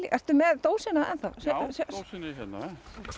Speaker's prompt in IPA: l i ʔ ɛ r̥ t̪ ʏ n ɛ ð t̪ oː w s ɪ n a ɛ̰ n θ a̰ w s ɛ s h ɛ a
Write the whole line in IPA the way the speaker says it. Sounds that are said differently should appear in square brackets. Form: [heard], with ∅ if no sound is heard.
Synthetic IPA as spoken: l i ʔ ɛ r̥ t̪ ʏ [m] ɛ ð t̪ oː w s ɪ n a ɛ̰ n θ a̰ w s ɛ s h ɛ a